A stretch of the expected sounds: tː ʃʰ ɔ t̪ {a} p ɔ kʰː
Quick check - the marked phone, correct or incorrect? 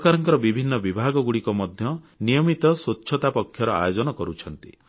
correct